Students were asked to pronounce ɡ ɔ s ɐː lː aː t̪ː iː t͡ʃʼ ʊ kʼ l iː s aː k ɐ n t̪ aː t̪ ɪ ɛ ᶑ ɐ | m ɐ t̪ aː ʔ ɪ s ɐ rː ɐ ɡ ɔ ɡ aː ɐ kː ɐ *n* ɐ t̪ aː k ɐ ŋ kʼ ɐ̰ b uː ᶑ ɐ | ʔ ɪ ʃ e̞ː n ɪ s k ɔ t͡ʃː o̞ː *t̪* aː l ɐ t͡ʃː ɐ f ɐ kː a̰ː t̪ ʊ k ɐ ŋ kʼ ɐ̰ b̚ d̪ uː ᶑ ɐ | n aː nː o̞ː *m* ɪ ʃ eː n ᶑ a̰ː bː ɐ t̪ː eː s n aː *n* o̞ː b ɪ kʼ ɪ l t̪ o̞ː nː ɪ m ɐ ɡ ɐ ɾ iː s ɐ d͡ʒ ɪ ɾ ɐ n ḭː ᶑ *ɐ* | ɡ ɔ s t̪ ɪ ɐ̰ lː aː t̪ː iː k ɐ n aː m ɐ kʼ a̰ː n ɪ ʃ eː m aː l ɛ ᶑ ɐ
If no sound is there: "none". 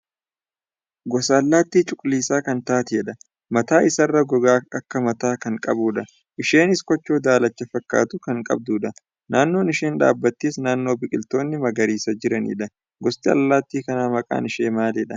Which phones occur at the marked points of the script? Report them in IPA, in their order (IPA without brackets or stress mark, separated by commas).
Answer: m, d̪, n, nː, ɐ